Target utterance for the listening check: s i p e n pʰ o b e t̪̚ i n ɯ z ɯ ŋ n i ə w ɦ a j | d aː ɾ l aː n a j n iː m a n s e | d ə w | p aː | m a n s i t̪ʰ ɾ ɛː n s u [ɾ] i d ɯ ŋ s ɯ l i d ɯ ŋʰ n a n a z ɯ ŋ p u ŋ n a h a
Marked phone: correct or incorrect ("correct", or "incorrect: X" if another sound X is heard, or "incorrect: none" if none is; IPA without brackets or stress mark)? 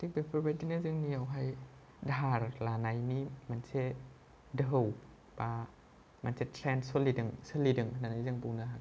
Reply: incorrect: l